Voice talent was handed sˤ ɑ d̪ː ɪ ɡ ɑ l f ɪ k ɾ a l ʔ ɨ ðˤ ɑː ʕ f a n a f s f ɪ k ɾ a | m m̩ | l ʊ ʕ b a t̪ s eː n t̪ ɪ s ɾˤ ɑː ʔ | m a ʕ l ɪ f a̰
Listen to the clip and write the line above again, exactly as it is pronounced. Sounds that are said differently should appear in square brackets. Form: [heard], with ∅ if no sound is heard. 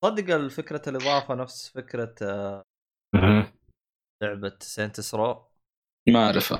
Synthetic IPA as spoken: sˤ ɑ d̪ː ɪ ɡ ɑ l f ɪ k ɾ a l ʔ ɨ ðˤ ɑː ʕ f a n a f s f ɪ k ɾ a | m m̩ | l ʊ ʕ b a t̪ s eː n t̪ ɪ s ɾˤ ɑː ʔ | m a ʕ [ɾ] ɪ f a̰